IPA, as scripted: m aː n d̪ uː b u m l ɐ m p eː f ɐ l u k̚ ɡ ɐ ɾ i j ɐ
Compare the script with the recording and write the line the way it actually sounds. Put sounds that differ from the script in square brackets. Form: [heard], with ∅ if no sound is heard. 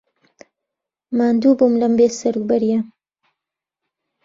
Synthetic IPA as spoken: m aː n d̪ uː b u m l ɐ m [b] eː [s] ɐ [ɾ] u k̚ [b] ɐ ɾ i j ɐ